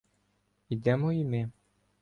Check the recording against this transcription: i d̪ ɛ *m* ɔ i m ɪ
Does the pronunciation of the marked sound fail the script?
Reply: no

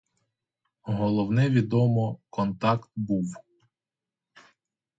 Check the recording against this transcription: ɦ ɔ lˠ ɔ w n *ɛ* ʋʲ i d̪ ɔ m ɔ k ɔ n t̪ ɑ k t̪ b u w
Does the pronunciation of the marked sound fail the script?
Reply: no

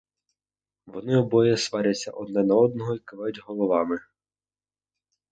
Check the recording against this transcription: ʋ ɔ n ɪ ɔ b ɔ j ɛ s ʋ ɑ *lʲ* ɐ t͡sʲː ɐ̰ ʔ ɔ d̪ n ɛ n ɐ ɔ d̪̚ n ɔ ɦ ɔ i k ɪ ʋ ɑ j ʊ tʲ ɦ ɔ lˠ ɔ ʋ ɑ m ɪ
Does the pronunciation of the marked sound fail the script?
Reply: yes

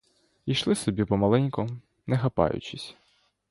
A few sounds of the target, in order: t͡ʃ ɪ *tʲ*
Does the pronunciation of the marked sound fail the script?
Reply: yes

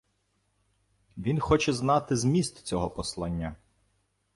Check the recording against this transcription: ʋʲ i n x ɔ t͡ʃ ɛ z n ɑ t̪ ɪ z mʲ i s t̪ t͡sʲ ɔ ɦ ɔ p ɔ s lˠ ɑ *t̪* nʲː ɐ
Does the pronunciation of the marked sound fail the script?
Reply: yes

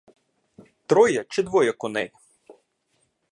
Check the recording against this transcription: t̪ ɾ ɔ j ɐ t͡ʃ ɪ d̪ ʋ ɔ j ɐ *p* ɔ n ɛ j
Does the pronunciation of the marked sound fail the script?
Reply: yes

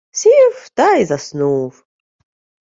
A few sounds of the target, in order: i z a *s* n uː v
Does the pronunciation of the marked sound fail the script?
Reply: no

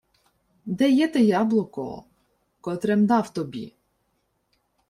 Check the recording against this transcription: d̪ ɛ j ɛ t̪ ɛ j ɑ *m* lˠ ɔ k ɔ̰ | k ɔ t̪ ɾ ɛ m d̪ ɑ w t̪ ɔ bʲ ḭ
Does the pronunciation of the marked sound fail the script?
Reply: yes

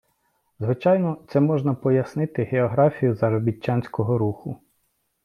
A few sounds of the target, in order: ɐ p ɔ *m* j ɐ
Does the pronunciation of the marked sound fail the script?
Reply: yes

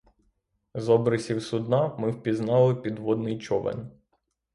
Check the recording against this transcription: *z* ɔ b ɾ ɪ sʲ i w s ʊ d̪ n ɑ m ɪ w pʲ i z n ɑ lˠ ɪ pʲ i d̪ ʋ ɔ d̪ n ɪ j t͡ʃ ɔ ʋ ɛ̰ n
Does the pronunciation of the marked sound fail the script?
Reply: no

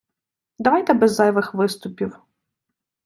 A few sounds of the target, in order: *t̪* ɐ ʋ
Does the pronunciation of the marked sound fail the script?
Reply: yes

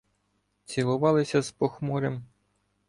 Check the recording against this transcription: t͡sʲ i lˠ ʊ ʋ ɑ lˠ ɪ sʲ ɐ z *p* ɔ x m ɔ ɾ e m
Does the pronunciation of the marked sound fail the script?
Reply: no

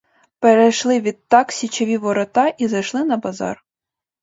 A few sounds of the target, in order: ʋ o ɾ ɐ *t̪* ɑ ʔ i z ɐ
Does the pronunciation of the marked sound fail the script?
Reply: no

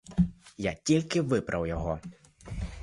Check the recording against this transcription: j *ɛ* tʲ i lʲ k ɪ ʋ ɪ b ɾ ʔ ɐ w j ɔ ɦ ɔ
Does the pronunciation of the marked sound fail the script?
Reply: yes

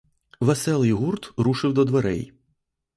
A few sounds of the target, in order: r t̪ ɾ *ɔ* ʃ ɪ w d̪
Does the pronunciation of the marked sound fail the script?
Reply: yes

